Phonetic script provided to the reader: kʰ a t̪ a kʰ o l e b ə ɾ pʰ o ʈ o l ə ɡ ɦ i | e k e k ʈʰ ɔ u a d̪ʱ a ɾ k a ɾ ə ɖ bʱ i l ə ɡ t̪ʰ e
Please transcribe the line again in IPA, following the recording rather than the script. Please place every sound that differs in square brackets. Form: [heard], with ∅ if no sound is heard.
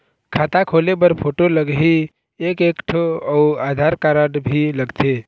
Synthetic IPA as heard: kʰ a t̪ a kʰ o l e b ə ɾ pʰ o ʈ o l ə ɡ ɦ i | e k e k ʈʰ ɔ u a d̪ʱ a ɾ k a ɾ ə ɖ bʱ i l ə ɡ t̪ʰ e